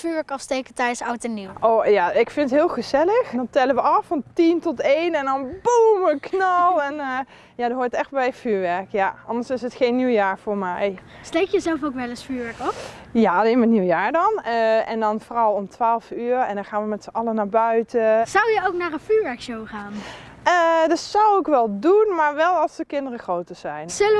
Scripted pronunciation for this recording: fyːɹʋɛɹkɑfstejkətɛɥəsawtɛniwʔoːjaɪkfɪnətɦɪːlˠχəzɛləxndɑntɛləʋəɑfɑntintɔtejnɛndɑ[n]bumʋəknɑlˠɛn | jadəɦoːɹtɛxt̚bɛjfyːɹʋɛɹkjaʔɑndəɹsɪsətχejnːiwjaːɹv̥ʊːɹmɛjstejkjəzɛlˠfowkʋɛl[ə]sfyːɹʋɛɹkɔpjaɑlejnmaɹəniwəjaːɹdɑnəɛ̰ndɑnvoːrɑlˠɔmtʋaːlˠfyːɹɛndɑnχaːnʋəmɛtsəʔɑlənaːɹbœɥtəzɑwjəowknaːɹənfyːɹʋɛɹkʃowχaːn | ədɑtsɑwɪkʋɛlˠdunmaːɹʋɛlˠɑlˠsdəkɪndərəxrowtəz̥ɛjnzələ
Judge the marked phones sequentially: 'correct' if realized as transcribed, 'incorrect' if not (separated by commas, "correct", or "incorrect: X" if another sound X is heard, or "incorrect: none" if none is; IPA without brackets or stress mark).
correct, correct